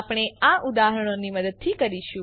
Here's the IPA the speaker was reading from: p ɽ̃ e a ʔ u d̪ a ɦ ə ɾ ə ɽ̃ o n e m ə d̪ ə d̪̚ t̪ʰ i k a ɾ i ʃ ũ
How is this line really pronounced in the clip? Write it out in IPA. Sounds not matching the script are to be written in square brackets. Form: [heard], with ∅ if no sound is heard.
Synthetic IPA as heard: p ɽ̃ e a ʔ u d̪ a ɦ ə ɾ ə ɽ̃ o n [i] m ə d̪ ə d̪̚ t̪ʰ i k [ə] ɾ i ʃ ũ